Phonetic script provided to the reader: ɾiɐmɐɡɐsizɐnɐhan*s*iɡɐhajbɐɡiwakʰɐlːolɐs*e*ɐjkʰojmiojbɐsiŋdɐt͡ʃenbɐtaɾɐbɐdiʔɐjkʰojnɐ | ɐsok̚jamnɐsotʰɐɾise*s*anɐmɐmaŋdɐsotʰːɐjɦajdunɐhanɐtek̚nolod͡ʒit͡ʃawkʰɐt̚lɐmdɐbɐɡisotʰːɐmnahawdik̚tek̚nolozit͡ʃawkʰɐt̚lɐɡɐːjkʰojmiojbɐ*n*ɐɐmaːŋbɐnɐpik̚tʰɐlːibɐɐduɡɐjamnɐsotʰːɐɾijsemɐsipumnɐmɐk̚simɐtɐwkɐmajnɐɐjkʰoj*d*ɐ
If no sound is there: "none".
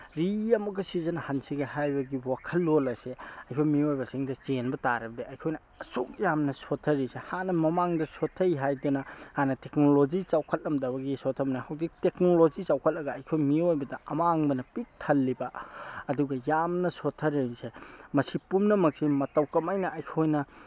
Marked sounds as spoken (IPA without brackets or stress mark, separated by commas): s, e, h, d, n